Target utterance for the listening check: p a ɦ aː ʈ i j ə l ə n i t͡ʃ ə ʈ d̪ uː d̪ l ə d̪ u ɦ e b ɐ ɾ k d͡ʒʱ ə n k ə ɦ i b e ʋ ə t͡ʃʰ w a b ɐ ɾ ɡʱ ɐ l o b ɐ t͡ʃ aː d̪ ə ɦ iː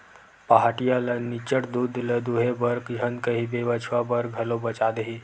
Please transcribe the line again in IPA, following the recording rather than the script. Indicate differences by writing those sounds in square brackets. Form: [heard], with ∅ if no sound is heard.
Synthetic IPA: p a ɦ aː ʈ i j [a] l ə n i t͡ʃ ə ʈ d̪ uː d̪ l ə d̪ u ɦ e b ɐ ɾ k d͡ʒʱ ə n k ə ɦ i b e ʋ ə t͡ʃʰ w a b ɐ ɾ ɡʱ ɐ l o b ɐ t͡ʃ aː d̪ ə ɦ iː